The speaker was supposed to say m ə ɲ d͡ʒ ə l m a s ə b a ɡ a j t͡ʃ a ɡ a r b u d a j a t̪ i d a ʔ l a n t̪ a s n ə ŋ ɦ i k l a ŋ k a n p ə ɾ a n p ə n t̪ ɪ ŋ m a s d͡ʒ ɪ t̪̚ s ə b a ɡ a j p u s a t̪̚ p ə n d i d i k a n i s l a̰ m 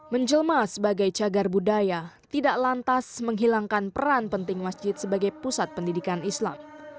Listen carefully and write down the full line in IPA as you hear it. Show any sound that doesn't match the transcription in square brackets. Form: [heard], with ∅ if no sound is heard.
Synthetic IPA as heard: m ə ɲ d͡ʒ ə l m a s ə b a ɡ a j t͡ʃ a ɡ a r b u d a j a t̪ i d a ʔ l a n t̪ a s [m] ə ŋ ɦ i [∅] l a ŋ k a n p ə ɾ a n p ə n t̪ ɪ ŋ m a s d͡ʒ ɪ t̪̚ s ə b a ɡ a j p u s a t̪̚ p ə n d i d i k a n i s l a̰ m